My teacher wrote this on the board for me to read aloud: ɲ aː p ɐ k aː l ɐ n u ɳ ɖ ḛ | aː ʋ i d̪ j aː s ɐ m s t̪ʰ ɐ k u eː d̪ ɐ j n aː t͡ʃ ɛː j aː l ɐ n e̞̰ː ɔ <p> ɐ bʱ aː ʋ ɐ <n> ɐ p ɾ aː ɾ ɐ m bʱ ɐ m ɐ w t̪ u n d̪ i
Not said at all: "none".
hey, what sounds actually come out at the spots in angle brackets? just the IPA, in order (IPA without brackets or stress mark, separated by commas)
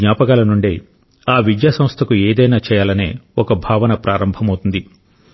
k, n